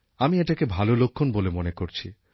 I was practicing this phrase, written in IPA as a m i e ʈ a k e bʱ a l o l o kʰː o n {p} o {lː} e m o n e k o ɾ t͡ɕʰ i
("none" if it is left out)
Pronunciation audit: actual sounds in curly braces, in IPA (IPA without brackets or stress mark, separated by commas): b, l